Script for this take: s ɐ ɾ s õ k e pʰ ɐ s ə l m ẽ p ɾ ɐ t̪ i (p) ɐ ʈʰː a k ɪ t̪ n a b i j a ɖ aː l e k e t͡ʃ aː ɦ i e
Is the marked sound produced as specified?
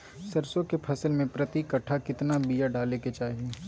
no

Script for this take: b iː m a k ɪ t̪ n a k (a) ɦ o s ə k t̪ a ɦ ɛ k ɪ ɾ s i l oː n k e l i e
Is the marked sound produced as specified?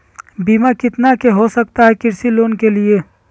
no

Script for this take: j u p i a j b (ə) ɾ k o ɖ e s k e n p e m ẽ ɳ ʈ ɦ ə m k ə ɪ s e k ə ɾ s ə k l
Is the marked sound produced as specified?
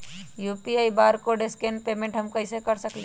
no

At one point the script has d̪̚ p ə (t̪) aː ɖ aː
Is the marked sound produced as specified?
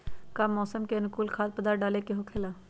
no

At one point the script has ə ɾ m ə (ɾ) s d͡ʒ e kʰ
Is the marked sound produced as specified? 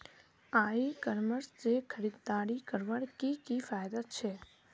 yes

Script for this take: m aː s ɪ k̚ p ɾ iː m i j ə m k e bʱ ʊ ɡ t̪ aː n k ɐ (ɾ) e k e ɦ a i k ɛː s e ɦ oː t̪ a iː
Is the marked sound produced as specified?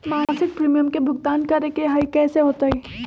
yes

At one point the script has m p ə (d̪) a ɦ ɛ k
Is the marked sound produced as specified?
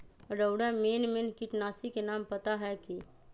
no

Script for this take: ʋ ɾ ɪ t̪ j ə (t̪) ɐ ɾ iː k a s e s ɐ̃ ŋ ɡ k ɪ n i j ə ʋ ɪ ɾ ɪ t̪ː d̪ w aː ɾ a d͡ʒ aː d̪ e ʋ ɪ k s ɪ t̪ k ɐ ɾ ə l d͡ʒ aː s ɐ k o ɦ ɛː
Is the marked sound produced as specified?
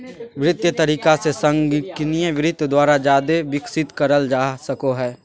yes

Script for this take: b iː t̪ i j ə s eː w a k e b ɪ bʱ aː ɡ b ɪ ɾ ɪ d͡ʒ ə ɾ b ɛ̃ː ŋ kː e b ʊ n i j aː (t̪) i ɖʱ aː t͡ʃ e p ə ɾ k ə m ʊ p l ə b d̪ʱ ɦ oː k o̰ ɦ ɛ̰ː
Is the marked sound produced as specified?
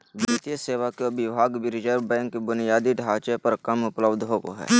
no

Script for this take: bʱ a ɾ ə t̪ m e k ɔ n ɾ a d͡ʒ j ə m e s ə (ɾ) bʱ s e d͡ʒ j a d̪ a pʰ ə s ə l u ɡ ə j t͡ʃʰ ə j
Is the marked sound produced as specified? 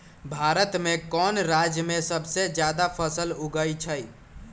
no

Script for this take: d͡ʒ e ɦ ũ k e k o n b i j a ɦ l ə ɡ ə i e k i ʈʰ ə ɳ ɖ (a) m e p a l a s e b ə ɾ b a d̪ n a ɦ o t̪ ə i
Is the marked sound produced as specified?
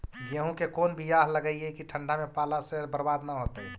yes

